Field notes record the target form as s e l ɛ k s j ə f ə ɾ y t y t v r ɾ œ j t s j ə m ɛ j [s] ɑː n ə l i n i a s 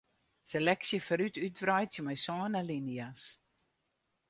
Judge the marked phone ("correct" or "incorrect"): correct